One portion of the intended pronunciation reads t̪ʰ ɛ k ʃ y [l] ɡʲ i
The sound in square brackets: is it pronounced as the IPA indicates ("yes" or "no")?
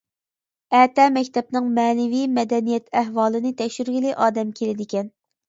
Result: no